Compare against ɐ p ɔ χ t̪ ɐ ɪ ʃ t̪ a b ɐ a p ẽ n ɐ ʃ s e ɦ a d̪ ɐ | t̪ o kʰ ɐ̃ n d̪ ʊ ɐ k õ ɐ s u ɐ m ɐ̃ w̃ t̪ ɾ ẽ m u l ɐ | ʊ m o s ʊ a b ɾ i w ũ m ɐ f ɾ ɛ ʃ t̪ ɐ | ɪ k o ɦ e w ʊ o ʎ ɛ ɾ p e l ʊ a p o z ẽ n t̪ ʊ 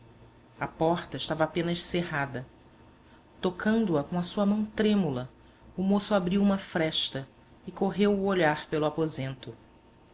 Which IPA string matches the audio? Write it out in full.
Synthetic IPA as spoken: ɐ p ɔ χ t̪ ɐ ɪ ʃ t̪ a v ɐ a p ẽ n ɐ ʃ s e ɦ a d̪ ɐ | t̪ o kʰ ɐ̃ n d̪ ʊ ɐ k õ ɐ s u ɐ m ɐ̃ w̃ t̪ ɾ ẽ m u l ɐ | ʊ m o s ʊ a b ɾ i w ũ m ɐ f ɾ ɛ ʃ t̪ ɐ | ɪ k o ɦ e w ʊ o ʎ a ɾ p e l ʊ a p o z ẽ n t̪ ʊ